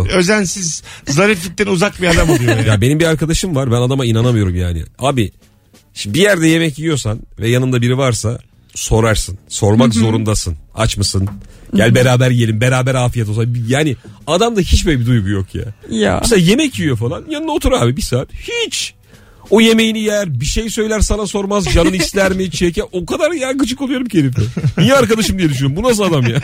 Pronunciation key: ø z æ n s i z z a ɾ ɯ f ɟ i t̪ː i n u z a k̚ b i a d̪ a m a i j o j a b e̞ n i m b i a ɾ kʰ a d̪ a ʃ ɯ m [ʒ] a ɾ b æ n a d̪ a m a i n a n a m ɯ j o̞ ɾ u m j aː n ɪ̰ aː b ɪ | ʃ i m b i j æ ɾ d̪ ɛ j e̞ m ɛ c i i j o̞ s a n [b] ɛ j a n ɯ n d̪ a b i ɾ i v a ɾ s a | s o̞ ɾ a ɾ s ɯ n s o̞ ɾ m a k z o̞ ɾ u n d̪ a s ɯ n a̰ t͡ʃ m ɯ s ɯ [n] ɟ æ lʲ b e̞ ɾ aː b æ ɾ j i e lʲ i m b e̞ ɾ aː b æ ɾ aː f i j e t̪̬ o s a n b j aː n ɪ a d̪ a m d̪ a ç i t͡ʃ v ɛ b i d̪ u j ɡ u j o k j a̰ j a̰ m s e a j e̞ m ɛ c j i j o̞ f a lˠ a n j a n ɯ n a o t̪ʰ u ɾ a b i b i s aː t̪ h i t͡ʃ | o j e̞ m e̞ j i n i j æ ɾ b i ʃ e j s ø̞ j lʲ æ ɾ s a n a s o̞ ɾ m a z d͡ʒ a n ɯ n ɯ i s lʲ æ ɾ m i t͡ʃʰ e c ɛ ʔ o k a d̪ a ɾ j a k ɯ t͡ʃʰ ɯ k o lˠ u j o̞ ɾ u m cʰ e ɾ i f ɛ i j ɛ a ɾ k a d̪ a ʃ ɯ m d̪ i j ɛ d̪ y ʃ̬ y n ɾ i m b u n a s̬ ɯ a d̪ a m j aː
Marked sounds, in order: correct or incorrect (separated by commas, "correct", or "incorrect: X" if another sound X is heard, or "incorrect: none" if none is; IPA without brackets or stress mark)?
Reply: incorrect: v, incorrect: v, correct